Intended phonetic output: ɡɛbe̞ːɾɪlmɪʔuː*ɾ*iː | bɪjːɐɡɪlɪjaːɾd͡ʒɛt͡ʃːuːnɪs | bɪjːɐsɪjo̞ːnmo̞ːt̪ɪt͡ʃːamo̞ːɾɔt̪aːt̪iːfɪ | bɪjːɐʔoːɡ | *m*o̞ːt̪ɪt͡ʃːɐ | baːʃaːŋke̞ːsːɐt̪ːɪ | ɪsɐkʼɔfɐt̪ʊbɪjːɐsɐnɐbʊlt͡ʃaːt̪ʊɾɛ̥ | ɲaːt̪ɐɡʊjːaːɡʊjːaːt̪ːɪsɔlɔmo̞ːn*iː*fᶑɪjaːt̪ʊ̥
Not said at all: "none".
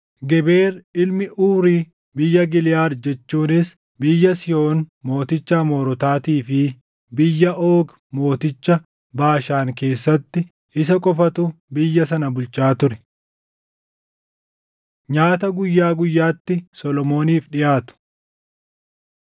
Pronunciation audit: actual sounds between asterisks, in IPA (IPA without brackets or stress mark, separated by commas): ɾ, m, iː